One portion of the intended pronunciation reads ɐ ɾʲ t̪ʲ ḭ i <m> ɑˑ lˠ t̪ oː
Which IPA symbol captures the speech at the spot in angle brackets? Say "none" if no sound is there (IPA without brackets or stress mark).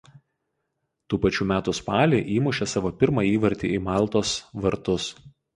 m